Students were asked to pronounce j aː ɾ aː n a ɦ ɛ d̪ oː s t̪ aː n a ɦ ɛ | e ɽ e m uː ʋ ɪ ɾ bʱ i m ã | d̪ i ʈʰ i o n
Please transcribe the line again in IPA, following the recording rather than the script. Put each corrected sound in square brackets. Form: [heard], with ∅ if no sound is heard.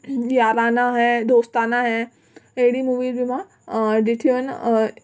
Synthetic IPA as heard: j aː ɾ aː n a ɦ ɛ d̪ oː s t̪ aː n a ɦ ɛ | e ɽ [i] m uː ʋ [i] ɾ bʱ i m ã | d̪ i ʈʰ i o n